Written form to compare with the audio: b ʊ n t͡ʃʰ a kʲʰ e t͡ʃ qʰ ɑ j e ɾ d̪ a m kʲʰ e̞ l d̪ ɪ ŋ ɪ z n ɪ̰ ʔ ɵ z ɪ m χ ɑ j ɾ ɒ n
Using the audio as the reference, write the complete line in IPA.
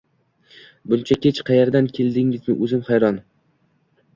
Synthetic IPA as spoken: b ʊ n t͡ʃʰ a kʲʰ e t͡ʃ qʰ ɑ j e ɾ d̪ a n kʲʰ e̞ l d̪ ɪ ŋ ɪ z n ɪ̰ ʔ ɵ z ɪ m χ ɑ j ɾ ɒ n

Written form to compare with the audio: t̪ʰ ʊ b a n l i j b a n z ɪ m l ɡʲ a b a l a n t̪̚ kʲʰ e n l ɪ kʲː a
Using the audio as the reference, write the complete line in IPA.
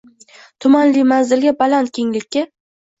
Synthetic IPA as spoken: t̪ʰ ʊ m a n l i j m a n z ɪ l ɡʲ a b a l a n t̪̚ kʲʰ e ŋ l ɪ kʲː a

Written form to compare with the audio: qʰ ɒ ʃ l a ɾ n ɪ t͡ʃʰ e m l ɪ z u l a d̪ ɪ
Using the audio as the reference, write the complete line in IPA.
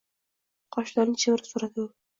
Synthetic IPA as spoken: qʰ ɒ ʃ l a ɾ n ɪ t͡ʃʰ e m ɾ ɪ s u ɾ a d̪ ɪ

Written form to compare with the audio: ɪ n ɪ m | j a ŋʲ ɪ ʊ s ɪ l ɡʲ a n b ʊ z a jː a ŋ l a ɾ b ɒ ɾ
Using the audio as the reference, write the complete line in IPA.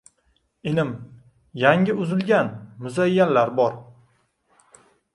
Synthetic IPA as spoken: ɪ n ɪ m | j a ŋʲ ɪ ʊ z ɪ l ɡʲ a n m ʊ z a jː a n l a ɾ b ɒ ɾ

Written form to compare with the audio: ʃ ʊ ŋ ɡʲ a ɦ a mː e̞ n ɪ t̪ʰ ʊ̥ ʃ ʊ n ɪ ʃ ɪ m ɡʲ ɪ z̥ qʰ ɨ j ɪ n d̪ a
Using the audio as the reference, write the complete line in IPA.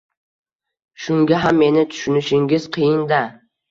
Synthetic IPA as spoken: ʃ ʊ ŋ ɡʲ a ɦ a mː e̞ n ɪ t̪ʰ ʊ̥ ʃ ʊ n ɪ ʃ ɪ ŋ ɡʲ ɪ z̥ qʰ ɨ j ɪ n d̪ a

